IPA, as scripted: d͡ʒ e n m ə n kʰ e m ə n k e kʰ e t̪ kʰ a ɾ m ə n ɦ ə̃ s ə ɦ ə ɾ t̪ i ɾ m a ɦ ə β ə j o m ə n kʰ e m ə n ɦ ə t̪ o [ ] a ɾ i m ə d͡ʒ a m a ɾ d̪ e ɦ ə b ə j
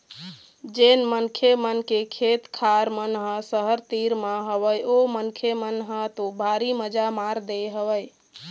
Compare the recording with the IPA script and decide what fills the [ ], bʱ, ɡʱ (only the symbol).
bʱ